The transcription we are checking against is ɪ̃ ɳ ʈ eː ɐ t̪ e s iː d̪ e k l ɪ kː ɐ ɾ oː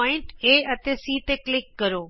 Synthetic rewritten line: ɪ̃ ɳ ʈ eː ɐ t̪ e s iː t̪ e k l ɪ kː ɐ ɾ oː